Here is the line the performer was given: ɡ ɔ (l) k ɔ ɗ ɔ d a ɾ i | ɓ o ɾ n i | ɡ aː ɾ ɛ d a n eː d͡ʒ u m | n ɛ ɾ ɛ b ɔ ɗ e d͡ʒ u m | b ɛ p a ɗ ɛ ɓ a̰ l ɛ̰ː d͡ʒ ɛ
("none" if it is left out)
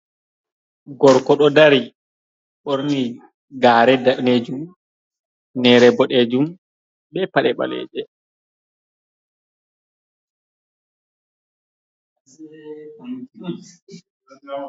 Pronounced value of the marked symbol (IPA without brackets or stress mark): ɾ